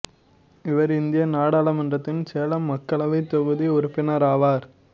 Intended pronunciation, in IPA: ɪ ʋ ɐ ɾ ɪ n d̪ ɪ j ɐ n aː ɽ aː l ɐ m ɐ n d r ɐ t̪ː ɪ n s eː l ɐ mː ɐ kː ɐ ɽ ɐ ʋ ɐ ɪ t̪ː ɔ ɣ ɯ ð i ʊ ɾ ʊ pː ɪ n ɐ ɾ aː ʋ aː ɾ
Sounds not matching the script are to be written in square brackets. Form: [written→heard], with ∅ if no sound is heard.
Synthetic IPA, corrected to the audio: ɪ ʋ ɐ ɾ ɪ n d̪ ɪ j ɐ n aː ɽ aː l ɐ m ɐ n d r ɐ t̪ː ɪ n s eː l ɐ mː ɐ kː ɐ [ɽ→ɭ] ɐ ʋ ɐ ɪ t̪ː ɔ ɣ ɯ ð i ʊ ɾ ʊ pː ɪ n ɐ ɾ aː ʋ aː ɾ